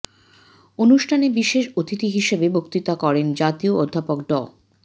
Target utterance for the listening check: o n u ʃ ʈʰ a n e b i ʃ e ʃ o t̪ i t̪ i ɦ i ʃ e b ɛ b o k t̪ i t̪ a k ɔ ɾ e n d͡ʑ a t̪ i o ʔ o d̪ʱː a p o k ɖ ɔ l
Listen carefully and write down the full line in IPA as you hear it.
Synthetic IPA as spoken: o n u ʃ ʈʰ a n e b i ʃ e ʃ o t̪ i t̪ i ɦ i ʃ e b e b o k t̪ i t̪ a k ɔ ɾ e n d͡ʑ a t̪ i o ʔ o d̪ʱː a p o k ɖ ɔ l